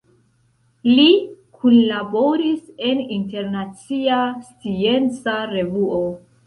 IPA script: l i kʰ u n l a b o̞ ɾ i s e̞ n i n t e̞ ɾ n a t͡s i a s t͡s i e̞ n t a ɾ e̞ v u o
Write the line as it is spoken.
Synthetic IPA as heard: l i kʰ u n l a b o̞ ɾ i s e̞ n i n t e̞ ɾ n a t͡s i a s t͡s i e̞ n t͡s a ɾ e̞ v u o